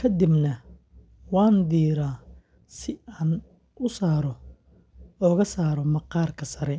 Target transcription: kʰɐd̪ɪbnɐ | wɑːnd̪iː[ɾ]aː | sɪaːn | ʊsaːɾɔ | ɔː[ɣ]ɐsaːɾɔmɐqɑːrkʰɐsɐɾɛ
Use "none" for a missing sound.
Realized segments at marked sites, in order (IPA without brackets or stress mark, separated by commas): ɾ, ɣ